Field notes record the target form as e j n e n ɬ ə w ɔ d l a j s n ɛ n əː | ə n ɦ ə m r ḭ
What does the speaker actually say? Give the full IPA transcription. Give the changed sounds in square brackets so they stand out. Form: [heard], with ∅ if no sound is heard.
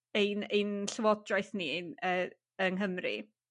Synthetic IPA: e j n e n ɬ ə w ɔ d [r] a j [θ] n [i] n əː | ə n ɦ ə m r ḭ